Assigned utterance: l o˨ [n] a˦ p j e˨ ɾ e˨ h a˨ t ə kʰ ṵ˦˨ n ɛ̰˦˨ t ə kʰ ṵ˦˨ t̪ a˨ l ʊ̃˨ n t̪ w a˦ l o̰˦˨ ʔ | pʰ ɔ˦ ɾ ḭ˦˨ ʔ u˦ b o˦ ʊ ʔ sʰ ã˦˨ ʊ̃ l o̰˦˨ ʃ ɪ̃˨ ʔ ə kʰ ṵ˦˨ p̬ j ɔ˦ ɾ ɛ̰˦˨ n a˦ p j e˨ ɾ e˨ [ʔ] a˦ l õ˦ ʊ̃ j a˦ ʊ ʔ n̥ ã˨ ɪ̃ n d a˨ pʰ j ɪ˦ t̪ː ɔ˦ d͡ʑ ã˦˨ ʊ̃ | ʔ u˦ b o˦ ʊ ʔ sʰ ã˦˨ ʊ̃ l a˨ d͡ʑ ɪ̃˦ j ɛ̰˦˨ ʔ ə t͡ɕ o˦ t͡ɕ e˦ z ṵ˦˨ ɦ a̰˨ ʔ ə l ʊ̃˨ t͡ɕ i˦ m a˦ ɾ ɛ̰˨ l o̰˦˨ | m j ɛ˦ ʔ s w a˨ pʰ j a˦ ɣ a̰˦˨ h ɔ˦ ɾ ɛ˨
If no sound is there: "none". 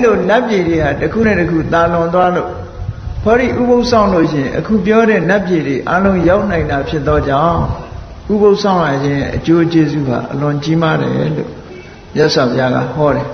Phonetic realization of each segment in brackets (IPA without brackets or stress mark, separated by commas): n, ʔ